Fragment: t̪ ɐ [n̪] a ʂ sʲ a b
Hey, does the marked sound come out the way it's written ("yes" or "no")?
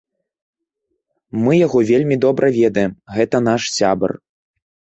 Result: yes